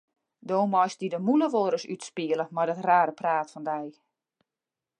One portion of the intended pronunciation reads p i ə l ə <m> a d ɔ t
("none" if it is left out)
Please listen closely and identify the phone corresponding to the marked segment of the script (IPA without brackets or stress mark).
m